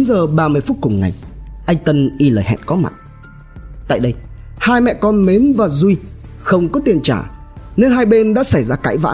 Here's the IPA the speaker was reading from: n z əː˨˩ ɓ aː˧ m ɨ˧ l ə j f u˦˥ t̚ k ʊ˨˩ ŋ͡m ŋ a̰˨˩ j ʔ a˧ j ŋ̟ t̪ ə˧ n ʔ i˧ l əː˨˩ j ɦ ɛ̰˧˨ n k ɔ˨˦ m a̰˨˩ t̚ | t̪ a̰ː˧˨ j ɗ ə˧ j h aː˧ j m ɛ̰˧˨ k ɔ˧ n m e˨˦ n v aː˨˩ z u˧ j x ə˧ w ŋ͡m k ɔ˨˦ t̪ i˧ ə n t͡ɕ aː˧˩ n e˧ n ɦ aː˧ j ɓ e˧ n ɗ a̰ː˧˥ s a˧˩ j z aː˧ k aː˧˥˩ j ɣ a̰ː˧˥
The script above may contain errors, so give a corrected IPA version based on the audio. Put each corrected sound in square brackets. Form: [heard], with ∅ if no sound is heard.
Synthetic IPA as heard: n z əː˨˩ ɓ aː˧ m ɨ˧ [∅] ə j f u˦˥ t̚ k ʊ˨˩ ŋ͡m ŋ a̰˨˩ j ʔ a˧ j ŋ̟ t̪ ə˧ n ʔ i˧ l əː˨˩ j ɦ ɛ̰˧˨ n k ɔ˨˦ m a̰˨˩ t̚ | t̪ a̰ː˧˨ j ɗ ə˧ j h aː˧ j m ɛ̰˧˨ k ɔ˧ n m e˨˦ n v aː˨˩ z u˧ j x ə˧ w ŋ͡m k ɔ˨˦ t̪ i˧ ə n t͡ɕ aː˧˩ n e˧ n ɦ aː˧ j ɓ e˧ n ɗ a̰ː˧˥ s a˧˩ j z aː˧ k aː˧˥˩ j [v] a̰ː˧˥